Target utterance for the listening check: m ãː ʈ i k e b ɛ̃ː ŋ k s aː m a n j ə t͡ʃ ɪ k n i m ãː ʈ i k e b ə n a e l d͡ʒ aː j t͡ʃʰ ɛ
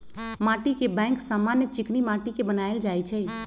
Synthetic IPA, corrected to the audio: m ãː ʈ i k e b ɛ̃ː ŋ k s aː m a n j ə t͡ʃ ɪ k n i m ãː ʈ i k e b ə n a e l d͡ʒ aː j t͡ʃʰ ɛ